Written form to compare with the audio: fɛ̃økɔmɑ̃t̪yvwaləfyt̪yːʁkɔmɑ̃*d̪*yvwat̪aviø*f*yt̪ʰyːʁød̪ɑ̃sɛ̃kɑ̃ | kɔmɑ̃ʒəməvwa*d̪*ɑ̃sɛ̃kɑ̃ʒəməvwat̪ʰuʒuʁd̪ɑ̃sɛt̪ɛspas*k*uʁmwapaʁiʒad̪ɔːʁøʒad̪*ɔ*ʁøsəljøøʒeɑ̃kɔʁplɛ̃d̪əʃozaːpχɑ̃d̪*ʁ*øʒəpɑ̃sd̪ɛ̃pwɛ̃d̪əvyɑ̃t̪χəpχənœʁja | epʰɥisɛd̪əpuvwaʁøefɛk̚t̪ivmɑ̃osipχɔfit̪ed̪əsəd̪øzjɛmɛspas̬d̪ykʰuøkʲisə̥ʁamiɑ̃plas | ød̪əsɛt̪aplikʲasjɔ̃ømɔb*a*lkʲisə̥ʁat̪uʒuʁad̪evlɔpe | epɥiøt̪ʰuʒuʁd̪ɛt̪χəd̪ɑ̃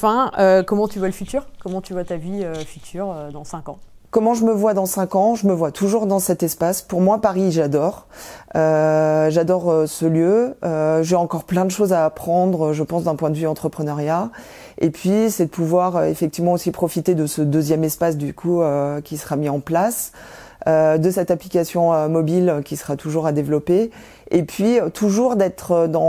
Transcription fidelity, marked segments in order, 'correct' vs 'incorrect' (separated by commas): incorrect, correct, correct, incorrect, correct, correct, incorrect